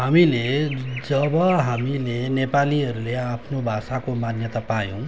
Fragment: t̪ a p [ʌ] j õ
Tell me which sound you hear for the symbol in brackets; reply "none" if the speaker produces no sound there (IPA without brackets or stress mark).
a